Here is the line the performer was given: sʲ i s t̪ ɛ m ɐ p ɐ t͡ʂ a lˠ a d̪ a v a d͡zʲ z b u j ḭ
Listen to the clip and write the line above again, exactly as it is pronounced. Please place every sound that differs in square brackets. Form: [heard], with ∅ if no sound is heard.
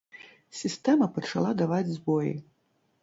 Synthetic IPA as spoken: sʲ i s t̪ ɛ m ɐ p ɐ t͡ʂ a lˠ a d̪ a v a d͡zʲ z b [ɔ] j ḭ